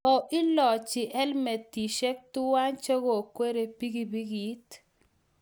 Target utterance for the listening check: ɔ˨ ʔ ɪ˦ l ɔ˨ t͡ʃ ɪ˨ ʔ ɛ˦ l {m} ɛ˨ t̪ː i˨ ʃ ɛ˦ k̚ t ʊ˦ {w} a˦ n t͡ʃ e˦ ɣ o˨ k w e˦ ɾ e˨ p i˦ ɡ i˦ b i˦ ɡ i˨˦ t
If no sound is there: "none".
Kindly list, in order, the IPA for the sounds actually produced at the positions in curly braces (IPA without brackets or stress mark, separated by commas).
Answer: m, w